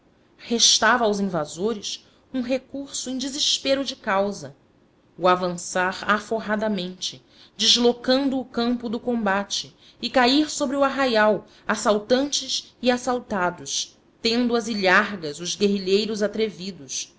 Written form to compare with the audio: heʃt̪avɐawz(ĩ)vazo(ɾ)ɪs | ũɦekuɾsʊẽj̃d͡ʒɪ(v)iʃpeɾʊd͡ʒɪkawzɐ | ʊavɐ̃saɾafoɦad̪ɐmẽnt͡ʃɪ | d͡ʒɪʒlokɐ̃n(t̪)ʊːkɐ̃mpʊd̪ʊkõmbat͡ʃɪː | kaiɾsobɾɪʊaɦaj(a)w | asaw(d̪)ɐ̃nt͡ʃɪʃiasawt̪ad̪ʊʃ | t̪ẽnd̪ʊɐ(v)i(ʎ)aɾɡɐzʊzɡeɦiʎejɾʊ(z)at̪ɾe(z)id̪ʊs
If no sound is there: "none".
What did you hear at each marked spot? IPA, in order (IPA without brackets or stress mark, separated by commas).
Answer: ĩ, ɾ, z, d̪, a, t̪, z, ʎ, z, v